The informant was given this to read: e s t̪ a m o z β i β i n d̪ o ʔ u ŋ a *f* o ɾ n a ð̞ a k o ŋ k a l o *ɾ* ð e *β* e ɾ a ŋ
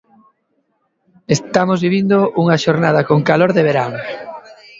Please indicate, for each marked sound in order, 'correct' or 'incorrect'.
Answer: incorrect: ʃ, correct, correct

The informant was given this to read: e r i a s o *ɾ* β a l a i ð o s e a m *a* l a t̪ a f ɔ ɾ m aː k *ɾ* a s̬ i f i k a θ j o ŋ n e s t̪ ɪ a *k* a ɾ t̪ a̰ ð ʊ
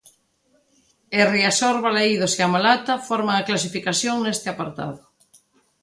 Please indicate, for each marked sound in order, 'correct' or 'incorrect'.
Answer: correct, correct, incorrect: l, incorrect: p

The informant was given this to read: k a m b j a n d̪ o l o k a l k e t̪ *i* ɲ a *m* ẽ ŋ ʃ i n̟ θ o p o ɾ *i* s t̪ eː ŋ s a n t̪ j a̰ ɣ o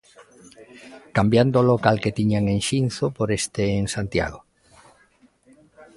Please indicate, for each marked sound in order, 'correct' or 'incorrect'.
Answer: correct, incorrect: ŋ, incorrect: e

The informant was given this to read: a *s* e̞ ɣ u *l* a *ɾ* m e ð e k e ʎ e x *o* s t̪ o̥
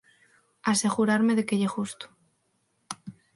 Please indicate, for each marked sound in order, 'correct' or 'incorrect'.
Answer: correct, incorrect: ɾ, correct, incorrect: u

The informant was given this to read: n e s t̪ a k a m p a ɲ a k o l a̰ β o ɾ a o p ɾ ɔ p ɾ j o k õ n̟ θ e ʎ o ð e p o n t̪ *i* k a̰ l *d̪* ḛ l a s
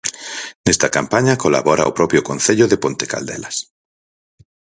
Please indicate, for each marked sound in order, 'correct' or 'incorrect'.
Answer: incorrect: e, correct

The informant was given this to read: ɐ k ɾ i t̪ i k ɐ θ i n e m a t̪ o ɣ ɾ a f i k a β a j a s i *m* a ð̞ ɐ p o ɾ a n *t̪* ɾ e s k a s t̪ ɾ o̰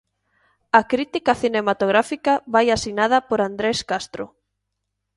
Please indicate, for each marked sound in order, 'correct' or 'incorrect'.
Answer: incorrect: n, incorrect: d̪

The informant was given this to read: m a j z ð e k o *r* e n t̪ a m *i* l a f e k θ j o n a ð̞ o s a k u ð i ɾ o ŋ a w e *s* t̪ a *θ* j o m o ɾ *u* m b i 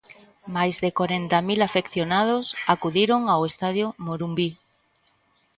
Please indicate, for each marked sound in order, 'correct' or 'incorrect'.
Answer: incorrect: ɾ, correct, correct, incorrect: ð, correct

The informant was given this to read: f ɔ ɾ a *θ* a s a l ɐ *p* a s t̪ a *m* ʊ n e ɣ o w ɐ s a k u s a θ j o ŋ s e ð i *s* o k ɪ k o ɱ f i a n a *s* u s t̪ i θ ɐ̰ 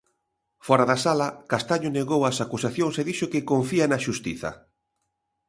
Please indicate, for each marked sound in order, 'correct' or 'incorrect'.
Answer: incorrect: ð, incorrect: k, incorrect: ɲ, incorrect: ʃ, incorrect: ʃ

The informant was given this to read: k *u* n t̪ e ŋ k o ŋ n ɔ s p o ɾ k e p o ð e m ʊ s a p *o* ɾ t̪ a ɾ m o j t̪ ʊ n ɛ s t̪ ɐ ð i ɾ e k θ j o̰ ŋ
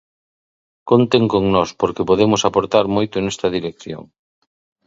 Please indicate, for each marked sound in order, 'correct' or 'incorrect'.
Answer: incorrect: o, correct

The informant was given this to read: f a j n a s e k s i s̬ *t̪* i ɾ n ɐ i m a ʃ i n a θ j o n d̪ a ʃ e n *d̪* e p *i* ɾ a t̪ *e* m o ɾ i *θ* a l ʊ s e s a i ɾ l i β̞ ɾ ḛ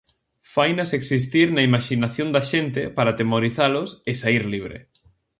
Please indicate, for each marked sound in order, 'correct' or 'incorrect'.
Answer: correct, incorrect: t̪, incorrect: a, correct, correct

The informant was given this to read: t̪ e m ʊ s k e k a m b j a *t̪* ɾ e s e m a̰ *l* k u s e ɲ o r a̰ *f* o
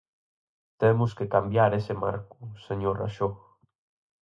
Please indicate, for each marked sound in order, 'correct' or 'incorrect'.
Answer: incorrect: none, incorrect: ɾ, incorrect: ʃ

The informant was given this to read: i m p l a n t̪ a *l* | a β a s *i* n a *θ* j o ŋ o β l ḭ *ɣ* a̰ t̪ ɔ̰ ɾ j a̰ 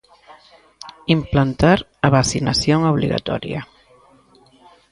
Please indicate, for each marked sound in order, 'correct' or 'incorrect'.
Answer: incorrect: ɾ, correct, incorrect: s, correct

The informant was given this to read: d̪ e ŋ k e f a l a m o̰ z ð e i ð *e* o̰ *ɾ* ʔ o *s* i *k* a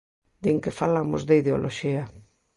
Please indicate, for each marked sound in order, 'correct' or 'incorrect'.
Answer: correct, incorrect: l, incorrect: ʃ, incorrect: none

